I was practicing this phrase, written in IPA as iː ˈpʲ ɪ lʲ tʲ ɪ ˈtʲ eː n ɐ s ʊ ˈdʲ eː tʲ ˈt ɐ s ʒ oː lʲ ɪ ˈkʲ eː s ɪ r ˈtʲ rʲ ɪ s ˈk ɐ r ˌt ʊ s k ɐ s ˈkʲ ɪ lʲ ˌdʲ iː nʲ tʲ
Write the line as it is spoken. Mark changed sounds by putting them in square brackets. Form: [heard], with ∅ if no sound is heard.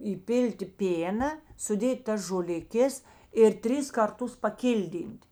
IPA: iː ˈpʲ ɪ lʲ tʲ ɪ [ˈpʲ] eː n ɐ s ʊ ˈdʲ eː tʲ ˈt ɐ s ʒ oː lʲ ɪ ˈkʲ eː s ɪ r ˈtʲ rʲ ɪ s ˈk ɐ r ˌt ʊ s [p] ɐ [∅] ˈkʲ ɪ lʲ ˌdʲ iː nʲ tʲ